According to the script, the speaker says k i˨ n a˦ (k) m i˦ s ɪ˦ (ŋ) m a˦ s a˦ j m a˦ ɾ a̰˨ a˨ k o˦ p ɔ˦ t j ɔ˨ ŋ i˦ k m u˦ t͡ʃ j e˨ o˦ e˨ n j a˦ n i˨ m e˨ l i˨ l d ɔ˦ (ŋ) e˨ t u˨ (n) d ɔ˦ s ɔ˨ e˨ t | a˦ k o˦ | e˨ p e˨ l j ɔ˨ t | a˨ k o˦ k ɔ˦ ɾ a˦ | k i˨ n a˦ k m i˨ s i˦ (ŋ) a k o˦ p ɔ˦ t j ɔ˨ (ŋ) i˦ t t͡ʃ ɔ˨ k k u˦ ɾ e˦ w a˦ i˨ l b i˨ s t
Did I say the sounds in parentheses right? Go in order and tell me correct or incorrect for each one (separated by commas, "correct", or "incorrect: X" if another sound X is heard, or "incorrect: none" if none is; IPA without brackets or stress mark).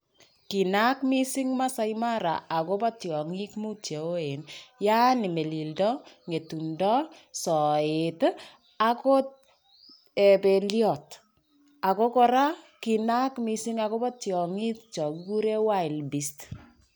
correct, correct, correct, correct, correct, correct